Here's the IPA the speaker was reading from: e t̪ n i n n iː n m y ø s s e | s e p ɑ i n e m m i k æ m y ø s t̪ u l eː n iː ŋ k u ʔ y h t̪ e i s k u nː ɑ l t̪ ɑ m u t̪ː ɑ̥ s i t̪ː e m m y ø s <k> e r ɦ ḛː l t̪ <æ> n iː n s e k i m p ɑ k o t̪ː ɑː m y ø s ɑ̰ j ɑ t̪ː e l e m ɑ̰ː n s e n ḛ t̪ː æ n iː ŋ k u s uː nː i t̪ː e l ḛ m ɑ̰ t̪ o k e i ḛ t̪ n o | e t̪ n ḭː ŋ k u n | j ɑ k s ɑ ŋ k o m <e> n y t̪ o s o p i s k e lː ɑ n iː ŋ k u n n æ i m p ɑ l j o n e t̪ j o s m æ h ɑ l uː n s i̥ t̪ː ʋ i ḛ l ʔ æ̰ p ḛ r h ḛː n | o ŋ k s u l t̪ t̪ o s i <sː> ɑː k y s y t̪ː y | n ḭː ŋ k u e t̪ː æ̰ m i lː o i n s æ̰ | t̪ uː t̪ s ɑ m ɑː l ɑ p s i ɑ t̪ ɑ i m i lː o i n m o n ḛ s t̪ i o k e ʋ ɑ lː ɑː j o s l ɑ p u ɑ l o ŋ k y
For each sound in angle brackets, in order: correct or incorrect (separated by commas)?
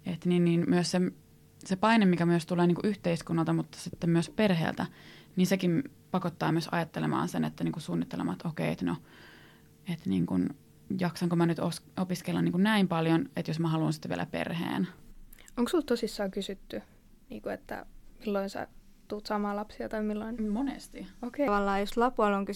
incorrect, correct, incorrect, correct